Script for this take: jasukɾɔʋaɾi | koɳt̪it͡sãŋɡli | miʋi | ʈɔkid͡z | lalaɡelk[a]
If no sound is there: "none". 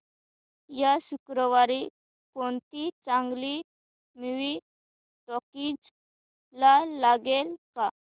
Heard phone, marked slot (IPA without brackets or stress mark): a